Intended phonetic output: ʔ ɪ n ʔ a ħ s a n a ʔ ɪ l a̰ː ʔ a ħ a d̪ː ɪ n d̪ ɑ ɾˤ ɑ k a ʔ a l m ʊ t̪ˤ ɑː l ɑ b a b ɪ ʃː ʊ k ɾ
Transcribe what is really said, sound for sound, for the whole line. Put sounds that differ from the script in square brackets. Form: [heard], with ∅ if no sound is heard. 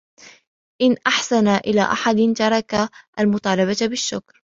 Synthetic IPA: ʔ ɪ n ʔ a ħ s a n a ʔ ɪ l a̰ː ʔ a ħ a [d̪] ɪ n [t̪] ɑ ɾˤ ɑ k a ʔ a l m ʊ t̪ˤ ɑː l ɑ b a b ɪ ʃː ʊ k ɾ